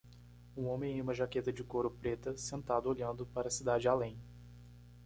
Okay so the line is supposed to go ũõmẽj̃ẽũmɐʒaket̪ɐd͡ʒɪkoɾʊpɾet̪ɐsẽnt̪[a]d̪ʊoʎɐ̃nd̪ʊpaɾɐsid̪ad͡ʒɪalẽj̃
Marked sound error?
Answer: no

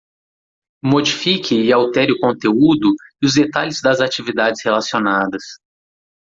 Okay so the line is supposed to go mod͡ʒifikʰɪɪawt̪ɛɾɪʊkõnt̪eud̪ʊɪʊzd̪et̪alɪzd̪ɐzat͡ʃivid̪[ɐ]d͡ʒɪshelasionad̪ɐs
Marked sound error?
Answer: yes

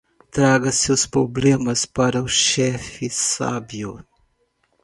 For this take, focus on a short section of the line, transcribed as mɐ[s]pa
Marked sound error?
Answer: no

